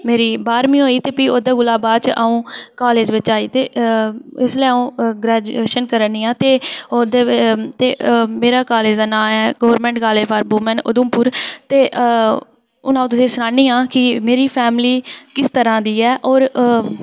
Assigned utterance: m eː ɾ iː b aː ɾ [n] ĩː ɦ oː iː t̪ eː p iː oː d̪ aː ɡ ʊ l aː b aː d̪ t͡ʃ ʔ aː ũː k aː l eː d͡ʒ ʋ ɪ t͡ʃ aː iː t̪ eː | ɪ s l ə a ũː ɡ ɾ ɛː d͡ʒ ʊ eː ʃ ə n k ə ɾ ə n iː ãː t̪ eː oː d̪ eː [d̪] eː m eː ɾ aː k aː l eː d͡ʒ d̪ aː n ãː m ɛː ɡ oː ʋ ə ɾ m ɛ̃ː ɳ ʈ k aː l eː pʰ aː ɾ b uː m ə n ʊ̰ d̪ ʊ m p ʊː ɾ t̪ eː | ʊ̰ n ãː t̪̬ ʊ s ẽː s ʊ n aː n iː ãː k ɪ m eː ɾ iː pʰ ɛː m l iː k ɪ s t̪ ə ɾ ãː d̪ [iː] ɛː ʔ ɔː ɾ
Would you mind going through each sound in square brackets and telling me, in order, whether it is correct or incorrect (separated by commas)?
incorrect, incorrect, correct